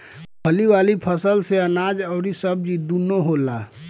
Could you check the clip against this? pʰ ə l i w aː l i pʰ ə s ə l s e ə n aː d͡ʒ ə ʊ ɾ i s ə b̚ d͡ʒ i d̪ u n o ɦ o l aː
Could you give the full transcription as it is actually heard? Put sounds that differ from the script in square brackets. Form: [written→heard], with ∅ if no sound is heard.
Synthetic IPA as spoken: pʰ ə l i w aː l i pʰ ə s ə l s e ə n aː d͡ʒ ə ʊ ɾ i s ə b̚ d͡ʒ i d̪ u n o ɦ o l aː